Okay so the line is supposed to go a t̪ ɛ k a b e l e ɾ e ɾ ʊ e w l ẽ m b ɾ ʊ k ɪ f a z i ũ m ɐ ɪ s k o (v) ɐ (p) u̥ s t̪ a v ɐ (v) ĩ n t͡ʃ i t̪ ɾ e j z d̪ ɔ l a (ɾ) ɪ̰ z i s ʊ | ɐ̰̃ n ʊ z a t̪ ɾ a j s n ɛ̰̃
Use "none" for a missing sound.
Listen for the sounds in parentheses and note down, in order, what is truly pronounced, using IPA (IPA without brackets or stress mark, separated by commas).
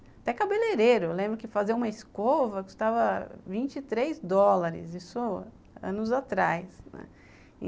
v, k, v, ɾ